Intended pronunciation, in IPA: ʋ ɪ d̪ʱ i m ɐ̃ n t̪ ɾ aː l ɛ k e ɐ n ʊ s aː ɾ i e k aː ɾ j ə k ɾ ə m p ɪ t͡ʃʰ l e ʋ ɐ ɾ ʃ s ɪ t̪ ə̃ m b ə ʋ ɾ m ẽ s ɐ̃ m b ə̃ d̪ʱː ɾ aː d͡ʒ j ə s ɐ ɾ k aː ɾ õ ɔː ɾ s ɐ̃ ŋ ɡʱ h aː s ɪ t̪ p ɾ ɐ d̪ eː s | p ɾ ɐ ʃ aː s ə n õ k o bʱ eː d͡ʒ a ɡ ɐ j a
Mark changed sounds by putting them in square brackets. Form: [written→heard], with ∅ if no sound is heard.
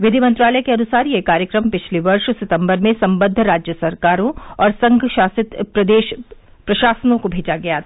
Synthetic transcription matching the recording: ʋ ɪ d̪ʱ i m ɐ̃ n t̪ ɾ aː l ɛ k e ɐ n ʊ s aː ɾ i e k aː ɾ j ə k ɾ ə m p ɪ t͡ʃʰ l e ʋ ɐ ɾ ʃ s ɪ t̪ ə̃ m b ə [ʋ→∅] ɾ m ẽ s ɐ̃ m b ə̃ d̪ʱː ɾ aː d͡ʒ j ə s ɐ ɾ k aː ɾ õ ɔː ɾ s ɐ̃ ŋ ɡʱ [h→ʃ] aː s ɪ t̪ p ɾ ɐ d̪ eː [s→ʃ] | p ɾ ɐ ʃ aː s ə n õ k o bʱ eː d͡ʒ a ɡ ɐ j a